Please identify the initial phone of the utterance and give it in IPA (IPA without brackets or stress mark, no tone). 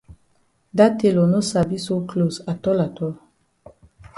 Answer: d